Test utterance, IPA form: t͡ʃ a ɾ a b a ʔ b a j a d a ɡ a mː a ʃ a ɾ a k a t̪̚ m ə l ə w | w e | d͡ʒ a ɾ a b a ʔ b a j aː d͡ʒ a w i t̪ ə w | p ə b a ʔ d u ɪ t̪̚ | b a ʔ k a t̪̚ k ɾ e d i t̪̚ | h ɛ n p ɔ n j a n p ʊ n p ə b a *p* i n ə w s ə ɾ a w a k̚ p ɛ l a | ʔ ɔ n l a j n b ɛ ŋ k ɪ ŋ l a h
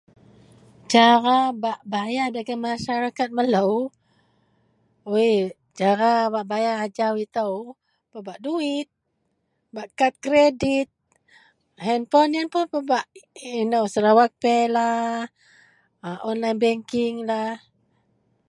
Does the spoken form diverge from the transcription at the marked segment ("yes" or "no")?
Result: yes